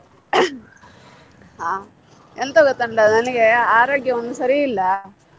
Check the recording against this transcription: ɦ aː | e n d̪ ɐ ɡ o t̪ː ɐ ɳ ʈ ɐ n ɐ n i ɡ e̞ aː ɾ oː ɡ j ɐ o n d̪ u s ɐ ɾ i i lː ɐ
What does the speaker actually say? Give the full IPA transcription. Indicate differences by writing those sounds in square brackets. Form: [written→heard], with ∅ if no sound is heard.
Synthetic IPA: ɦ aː | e n [d̪→t̪] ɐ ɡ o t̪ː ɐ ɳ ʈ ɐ n ɐ n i ɡ e̞ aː ɾ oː ɡ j ɐ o n d̪ u s ɐ ɾ i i lː ɐ

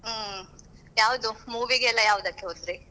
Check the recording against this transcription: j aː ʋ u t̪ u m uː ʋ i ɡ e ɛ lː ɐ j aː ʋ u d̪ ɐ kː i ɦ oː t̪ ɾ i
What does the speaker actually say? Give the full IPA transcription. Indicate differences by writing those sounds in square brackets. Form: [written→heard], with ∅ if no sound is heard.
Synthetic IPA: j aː ʋ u [t̪→d̪] u m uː ʋ i ɡ e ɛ lː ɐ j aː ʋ u d̪ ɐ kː [i→e] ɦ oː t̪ ɾ i

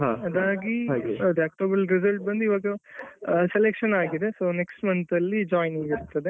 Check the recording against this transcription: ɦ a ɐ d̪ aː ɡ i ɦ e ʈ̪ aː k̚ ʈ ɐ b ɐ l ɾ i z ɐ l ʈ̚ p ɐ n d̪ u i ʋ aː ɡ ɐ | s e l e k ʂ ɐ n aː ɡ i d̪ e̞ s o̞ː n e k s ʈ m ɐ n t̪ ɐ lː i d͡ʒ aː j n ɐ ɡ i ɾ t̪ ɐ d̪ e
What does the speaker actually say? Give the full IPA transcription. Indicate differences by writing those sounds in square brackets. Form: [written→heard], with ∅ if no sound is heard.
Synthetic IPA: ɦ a ɐ d̪ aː ɡ i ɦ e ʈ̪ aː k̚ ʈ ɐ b ɐ l ɾ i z ɐ l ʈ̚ [p→b] ɐ n d̪ u i ʋ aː ɡ ɐ | s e l e k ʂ ɐ n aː ɡ i d̪ e̞ s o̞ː n e k s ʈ m ɐ n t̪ ɐ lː i d͡ʒ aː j n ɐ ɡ i ɾ t̪ ɐ d̪ e

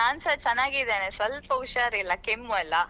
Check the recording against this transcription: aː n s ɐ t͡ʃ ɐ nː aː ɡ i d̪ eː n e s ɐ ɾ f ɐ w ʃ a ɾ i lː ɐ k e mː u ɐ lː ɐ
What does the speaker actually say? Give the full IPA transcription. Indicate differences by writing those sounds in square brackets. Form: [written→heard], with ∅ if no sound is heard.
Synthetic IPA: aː n s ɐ t͡ʃ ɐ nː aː ɡ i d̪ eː n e s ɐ [ɾ→l] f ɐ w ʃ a ɾ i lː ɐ k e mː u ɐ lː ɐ

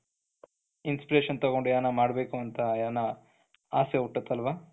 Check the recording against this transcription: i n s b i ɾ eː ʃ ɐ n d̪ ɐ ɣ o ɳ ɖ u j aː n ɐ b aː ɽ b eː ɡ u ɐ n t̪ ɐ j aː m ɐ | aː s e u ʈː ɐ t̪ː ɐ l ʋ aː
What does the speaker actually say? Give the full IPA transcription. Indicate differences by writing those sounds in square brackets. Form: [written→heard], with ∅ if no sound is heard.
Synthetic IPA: i n s [b→p] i ɾ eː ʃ ɐ n [d̪→t̪] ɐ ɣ o ɳ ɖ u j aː n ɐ [b→m] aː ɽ b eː [ɡ→k] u ɐ n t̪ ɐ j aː [m→n] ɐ | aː s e u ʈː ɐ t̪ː ɐ l ʋ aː

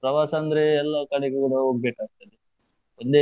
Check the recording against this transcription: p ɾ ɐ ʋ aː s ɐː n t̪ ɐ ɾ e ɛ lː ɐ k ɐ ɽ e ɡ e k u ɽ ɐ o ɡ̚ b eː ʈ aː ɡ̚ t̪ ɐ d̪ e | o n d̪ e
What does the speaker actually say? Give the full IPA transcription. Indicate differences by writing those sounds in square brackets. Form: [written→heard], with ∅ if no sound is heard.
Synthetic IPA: p ɾ ɐ ʋ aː s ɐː n [t̪→d̪] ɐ ɾ e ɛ lː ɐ k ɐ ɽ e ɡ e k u ɽ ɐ o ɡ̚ b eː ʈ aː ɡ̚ t̪ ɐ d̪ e | o n d̪ e

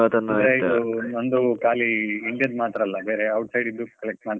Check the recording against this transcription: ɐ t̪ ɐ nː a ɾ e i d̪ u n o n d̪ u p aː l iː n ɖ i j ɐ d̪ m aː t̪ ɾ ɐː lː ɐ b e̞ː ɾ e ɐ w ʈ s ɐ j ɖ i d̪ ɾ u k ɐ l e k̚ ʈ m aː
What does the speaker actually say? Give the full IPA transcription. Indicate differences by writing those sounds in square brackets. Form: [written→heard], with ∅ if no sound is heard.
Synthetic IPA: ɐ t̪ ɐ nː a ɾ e i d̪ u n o n d̪ u [p→k] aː l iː [n→ɳ] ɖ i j ɐ d̪ m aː t̪ ɾ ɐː lː ɐ b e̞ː ɾ e ɐ w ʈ s ɐ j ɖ i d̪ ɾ u k ɐ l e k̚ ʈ m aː

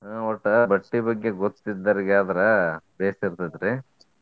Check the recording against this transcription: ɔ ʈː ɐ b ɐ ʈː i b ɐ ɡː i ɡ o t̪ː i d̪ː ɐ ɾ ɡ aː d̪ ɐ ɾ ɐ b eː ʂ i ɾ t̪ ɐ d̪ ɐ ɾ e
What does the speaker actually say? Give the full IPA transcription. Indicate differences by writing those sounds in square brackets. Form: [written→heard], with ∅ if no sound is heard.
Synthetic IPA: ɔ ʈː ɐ b ɐ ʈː i b ɐ ɡː [i→e] ɡ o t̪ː i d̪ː ɐ ɾ ɡ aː d̪ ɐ ɾ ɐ b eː [ʂ→s] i ɾ t̪ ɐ d̪ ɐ ɾ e

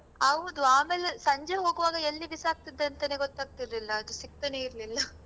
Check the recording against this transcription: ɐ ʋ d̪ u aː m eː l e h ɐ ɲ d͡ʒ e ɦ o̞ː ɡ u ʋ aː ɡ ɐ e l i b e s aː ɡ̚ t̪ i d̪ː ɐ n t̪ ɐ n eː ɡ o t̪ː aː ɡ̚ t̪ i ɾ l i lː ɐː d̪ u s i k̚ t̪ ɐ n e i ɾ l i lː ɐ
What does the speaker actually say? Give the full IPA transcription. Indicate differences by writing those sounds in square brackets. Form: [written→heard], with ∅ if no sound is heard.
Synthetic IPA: ɐ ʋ d̪ u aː m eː l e [h→s] ɐ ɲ d͡ʒ e ɦ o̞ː ɡ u ʋ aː ɡ ɐ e [l→lː] i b [e→i] s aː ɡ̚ t̪ i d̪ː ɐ n t̪ ɐ n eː ɡ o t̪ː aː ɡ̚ t̪ i ɾ l i lː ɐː d̪ u s i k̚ t̪ ɐ n e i ɾ l i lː ɐ

